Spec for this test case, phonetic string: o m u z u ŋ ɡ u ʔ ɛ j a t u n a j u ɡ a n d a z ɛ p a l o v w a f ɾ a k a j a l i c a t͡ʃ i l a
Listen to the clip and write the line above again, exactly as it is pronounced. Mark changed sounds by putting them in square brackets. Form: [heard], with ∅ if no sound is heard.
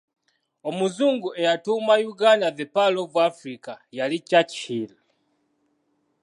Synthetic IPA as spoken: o m u z u ŋ ɡ u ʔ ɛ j a t u [m] a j u ɡ a n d a [ð] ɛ p a l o v w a f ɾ [i] k a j a l i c a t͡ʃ i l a